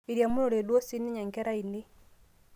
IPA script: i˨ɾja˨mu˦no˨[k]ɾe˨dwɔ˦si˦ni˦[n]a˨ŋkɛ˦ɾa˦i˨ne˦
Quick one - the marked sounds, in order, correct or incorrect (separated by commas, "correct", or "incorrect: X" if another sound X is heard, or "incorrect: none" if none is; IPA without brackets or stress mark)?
incorrect: none, incorrect: ɲ